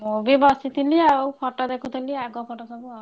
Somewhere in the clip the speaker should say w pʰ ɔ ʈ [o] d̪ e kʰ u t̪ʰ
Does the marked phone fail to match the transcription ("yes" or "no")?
yes